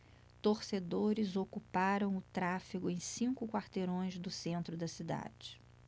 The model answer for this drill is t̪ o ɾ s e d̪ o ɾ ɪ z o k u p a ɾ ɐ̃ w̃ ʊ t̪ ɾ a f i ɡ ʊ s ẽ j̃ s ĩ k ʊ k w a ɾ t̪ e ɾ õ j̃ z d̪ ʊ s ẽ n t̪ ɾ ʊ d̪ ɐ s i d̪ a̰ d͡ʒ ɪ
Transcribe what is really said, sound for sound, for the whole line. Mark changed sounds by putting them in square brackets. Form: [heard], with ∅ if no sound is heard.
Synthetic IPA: t̪ o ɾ s e d̪ o ɾ ɪ z o k u p a ɾ ɐ̃ w̃ ʊ t̪ ɾ a f i ɡ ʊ [∅] ẽ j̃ s ĩ k ʊ k w a ɾ t̪ e ɾ õ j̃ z d̪ ʊ s ẽ n t̪ ɾ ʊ d̪ ɐ s i d̪ a̰ d͡ʒ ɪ